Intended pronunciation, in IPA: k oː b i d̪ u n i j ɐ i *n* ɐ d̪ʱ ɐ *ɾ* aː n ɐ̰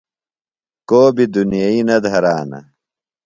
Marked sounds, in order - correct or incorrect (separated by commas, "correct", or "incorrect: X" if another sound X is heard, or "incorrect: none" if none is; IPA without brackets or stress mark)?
correct, correct